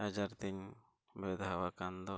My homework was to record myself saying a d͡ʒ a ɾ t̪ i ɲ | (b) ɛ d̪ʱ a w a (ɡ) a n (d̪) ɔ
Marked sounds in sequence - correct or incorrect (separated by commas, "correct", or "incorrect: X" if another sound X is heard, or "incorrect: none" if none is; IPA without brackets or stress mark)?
correct, incorrect: k, correct